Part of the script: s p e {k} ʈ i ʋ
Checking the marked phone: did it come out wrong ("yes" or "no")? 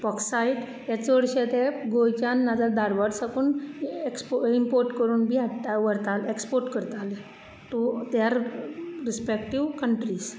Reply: no